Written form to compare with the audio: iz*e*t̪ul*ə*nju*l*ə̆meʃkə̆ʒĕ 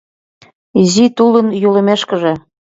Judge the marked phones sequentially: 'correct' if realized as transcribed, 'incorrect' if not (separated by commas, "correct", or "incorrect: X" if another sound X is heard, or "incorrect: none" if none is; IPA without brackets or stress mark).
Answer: incorrect: i, correct, correct